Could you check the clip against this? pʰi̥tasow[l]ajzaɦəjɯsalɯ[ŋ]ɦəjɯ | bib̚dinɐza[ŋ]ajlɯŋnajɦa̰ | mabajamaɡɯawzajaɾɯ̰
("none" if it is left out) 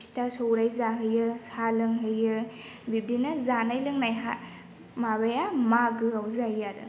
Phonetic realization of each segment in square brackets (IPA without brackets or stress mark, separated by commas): ɾ, ŋ, n